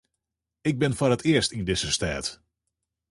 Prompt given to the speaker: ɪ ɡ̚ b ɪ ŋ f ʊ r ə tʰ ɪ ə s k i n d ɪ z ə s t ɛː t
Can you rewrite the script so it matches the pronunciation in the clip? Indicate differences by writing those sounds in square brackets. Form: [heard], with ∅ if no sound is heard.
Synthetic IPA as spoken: ɪ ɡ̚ b ɪ [n] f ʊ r ə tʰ ɪ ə s [t] i n d ɪ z ə s t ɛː t